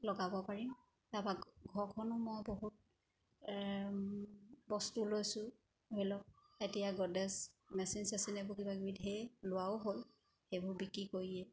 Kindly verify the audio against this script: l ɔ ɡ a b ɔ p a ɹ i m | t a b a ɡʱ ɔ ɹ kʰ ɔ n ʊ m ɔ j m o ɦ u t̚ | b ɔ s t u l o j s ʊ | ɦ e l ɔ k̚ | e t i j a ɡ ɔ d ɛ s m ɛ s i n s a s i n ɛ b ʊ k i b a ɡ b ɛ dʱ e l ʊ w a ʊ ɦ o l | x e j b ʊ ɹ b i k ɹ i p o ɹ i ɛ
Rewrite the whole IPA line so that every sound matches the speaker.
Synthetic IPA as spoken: l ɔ ɡ a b ɔ p a ɹ i m | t a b a ɡʱ ɔ ɹ kʰ ɔ n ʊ m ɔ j b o ɦ u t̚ | b ɔ s t u l o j s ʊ | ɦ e l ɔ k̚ | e t i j a ɡ ɔ d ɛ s m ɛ s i n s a s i n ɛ b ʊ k i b a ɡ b i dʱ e l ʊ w a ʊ ɦ o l | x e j b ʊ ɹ b i k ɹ i k o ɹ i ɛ